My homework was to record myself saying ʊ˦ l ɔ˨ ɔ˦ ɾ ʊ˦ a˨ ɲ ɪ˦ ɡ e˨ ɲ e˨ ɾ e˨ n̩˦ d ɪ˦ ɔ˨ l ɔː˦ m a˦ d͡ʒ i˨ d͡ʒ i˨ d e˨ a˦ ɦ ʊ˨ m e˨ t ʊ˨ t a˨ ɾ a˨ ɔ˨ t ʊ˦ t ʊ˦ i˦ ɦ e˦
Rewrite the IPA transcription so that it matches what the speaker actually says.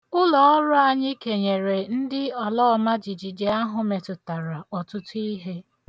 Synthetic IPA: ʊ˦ l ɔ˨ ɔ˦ ɾ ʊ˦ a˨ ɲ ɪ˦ k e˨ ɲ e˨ ɾ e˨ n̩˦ d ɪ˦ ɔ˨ l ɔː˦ m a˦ d͡ʒ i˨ d͡ʒ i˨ d͡ʒ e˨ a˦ ɦ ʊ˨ m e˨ t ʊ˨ t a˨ ɾ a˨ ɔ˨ t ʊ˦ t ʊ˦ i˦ ɦ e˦